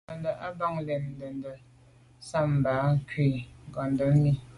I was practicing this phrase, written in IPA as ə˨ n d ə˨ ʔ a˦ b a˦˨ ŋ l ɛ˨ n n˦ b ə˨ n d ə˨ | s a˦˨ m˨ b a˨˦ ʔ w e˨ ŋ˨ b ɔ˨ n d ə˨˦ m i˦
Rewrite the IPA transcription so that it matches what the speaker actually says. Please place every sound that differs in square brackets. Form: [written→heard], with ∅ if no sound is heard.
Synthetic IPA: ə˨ n d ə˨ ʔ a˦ b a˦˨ ŋ l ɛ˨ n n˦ [b→d] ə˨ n d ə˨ | s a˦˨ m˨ b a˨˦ [ʔ→k] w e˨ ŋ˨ [b→ɡ] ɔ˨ n d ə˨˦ m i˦